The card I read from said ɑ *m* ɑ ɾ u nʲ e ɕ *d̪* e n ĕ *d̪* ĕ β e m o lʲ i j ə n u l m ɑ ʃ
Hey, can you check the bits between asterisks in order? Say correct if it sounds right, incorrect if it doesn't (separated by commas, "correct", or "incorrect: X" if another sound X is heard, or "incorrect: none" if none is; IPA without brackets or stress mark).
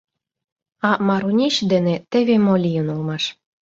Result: correct, correct, incorrect: t̪